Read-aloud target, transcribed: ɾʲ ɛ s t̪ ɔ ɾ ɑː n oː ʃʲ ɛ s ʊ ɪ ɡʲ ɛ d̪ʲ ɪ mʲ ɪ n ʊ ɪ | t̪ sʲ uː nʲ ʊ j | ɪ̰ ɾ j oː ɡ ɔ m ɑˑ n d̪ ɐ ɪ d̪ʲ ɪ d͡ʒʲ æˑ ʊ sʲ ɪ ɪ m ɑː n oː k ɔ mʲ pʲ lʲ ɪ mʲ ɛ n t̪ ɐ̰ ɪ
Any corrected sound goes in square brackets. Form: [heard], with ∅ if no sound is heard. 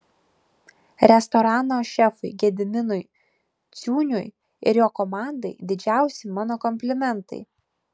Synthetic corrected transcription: ɾʲ ɛ s t̪ ɔ ɾ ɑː n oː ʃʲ ɛ [f] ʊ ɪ ɡʲ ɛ d̪ʲ ɪ mʲ ɪ n ʊ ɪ | t̪ sʲ uː nʲ ʊ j | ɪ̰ ɾ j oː [k] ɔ m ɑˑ n d̪ ɐ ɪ d̪ʲ ɪ d͡ʒʲ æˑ ʊ sʲ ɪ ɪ m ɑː n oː k ɔ mʲ pʲ lʲ ɪ mʲ ɛ n t̪ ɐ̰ ɪ

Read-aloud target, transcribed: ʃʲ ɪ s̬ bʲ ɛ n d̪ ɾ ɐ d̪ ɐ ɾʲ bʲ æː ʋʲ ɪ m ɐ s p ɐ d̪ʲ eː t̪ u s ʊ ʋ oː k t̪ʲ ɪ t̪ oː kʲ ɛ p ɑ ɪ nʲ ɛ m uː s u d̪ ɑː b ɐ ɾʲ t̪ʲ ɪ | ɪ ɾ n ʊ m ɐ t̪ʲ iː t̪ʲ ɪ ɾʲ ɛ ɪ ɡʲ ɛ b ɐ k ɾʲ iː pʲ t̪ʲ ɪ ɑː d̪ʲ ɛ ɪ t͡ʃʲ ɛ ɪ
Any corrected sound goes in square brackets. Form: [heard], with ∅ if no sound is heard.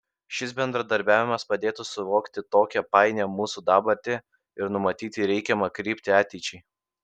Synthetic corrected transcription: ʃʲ ɪ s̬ bʲ ɛ n d̪ ɾ ɐ d̪ ɐ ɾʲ bʲ æː ʋʲ ɪ m ɐ s p ɐ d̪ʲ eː t̪ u s ʊ ʋ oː k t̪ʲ ɪ t̪ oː kʲ ɛ p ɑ ɪ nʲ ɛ m uː s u d̪ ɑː b ɐ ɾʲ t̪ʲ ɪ | ɪ ɾ n ʊ m ɐ t̪ʲ iː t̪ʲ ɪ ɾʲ ɛ ɪ [kʲ] ɛ [m] ɐ k ɾʲ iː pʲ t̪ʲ ɪ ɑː [t̪ʲ] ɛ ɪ t͡ʃʲ ɛ ɪ

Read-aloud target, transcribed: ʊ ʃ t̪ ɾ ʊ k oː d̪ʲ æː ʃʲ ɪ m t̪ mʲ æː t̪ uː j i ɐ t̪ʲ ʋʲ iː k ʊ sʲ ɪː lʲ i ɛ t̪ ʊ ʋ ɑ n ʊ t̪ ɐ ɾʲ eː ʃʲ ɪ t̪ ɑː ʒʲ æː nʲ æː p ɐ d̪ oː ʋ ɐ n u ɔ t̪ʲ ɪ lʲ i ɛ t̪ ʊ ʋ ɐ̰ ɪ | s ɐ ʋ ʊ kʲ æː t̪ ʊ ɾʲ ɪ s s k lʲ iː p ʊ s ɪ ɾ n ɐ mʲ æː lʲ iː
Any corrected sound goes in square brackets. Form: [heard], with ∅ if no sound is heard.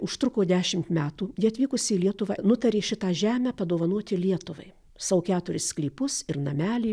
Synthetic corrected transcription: ʊ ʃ t̪ ɾ ʊ k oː d̪ʲ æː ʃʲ ɪ m t̪ mʲ æː t̪ uː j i ɐ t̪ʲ ʋʲ iː k ʊ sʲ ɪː lʲ i ɛ t̪ ʊ ʋ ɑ n ʊ t̪ ɐ ɾʲ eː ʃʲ ɪ t̪ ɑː ʒʲ æː [mʲ] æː p ɐ d̪ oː ʋ ɐ n u ɔ t̪ʲ ɪ lʲ i ɛ t̪ ʊ ʋ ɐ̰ ɪ | s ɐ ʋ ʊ kʲ æː t̪ ʊ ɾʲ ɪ s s k lʲ iː p ʊ s ɪ ɾ n ɐ mʲ æː lʲ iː

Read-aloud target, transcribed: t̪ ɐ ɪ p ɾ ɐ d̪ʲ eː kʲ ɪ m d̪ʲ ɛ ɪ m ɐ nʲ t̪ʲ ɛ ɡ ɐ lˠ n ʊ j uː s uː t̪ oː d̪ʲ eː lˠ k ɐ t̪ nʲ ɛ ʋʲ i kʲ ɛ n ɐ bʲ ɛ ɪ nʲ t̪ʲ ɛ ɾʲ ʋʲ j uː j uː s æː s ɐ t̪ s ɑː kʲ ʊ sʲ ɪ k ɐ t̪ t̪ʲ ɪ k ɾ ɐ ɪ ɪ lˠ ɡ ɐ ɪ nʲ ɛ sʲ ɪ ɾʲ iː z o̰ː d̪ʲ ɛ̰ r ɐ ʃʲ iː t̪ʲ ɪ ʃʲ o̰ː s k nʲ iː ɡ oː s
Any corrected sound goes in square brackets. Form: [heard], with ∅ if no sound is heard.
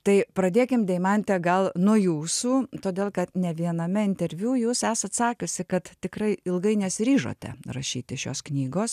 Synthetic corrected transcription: t̪ ɐ ɪ p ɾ ɐ d̪ʲ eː kʲ ɪ m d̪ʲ ɛ ɪ m ɐ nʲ t̪ʲ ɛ ɡ ɐ lˠ n ʊ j uː s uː t̪ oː d̪ʲ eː lˠ k ɐ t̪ nʲ ɛ ʋʲ i [∅] ɛ n ɐ [mʲ] ɛ ɪ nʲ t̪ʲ ɛ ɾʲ ʋʲ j uː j uː s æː s ɐ t̪ s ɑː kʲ ʊ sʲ ɪ k ɐ t̪ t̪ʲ ɪ k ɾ ɐ ɪ ɪ lˠ ɡ ɐ ɪ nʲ ɛ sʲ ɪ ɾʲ iː [ʒ] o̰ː [t̪ʲ] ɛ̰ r ɐ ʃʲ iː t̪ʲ ɪ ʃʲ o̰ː s k nʲ iː ɡ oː s

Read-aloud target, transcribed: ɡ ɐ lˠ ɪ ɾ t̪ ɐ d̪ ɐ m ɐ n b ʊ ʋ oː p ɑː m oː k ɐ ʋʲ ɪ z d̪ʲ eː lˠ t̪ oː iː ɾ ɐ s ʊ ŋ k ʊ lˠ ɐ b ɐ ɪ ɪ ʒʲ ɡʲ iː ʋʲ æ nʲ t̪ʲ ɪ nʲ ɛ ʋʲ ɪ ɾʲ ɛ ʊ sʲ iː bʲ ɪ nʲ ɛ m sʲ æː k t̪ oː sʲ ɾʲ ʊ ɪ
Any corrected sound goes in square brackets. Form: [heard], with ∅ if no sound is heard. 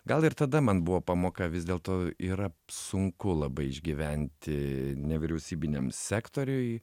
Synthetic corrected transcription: ɡ ɐ lˠ ɪ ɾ t̪ ɐ d̪ ɐ m ɐ n b ʊ ʋ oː p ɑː m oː k ɐ ʋʲ ɪ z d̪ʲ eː lˠ t̪ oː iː ɾ ɐ s ʊ ŋ k ʊ lˠ ɐ b ɐ ɪ ɪ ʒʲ ɡʲ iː ʋʲ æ nʲ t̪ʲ ɪ nʲ ɛ ʋʲ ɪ ɾʲ ɛ ʊ sʲ iː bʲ ɪ nʲ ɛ m sʲ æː k t̪ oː [∅] ɾʲ ʊ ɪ

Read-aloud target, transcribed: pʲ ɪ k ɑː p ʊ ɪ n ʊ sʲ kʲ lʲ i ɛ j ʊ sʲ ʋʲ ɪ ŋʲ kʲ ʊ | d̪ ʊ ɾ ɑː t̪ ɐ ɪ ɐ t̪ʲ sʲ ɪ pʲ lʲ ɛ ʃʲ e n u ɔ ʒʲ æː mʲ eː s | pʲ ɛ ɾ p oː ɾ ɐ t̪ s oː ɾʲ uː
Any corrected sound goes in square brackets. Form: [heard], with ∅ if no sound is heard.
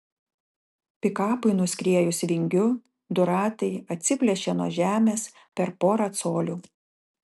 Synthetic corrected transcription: pʲ ɪ k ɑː p ʊ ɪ n ʊ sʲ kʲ [ɾʲ] i ɛ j ʊ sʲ ʋʲ ɪ ŋʲ [ɡʲ] ʊ | d̪ ʊ ɾ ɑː t̪ ɐ ɪ ɐ t̪ʲ sʲ ɪ pʲ lʲ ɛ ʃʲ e n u ɔ ʒʲ æː mʲ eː s | pʲ ɛ ɾ p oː ɾ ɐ t̪ s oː [lʲ] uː

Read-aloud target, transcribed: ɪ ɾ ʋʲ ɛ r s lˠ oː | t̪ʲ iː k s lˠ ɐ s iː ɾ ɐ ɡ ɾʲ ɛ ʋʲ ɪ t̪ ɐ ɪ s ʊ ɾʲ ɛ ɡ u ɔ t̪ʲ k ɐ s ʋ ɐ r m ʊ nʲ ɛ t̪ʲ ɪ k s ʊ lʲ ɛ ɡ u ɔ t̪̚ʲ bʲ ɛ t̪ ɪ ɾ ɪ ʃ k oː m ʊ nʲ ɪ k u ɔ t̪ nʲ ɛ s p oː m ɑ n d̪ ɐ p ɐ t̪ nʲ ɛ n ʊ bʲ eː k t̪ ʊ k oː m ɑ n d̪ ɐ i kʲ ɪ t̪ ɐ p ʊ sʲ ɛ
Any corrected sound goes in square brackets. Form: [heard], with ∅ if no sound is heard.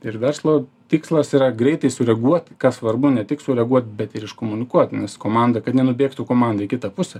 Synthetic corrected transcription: ɪ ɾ ʋʲ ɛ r s lˠ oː | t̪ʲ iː k s lˠ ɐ s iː ɾ ɐ ɡ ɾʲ ɛ [∅] ɪ t̪ ɐ ɪ s ʊ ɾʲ ɛ ɡ u ɔ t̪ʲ k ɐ s ʋ ɐ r [b] ʊ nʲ ɛ t̪ʲ ɪ k s ʊ [ɾʲ] ɛ ɡ u ɔ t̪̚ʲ bʲ ɛ t̪ ɪ ɾ ɪ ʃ k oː m ʊ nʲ ɪ k u ɔ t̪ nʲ ɛ s [k] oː m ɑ n d̪ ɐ [k] ɐ t̪ nʲ ɛ n ʊ bʲ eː k t̪ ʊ k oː m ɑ n d̪ ɐ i kʲ ɪ t̪ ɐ p ʊ sʲ ɛ

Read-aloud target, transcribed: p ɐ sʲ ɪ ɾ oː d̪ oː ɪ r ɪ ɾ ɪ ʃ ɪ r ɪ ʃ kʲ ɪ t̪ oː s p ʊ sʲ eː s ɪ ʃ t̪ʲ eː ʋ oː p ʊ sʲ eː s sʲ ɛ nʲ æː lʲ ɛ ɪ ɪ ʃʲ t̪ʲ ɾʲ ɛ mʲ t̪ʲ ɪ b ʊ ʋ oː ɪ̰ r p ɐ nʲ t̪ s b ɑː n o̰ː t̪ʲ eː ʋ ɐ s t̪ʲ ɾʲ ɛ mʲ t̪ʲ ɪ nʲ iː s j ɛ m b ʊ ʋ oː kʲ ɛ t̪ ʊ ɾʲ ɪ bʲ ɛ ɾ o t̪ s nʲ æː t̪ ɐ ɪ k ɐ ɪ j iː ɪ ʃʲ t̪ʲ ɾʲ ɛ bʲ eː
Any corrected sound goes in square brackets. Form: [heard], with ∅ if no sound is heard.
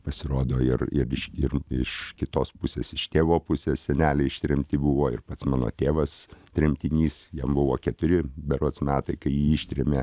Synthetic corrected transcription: p ɐ sʲ ɪ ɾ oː d̪ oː ɪ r ɪ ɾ ɪ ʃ ɪ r ɪ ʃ kʲ ɪ t̪ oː s p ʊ sʲ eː s ɪ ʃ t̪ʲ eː ʋ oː p ʊ sʲ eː s sʲ ɛ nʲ æː lʲ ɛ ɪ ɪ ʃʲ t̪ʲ ɾʲ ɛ mʲ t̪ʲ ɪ b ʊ ʋ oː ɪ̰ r p ɐ [∅] t̪ s [m] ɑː n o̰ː t̪ʲ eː ʋ ɐ s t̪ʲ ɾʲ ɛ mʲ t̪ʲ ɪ nʲ iː s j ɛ m b ʊ ʋ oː kʲ ɛ t̪ ʊ ɾʲ ɪ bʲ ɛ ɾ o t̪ s [mʲ] æː t̪ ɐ ɪ k ɐ ɪ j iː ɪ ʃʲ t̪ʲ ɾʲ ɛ [mʲ] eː

